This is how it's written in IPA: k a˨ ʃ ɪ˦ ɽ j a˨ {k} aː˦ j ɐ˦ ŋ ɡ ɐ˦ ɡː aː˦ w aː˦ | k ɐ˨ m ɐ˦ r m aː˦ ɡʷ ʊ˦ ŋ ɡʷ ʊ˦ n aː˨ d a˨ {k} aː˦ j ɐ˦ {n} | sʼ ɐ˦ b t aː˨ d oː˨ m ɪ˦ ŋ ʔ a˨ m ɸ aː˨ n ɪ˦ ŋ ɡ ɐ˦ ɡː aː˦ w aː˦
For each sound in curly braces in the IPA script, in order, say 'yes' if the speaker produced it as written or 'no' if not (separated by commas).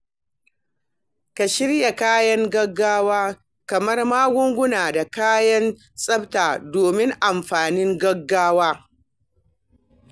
yes, yes, yes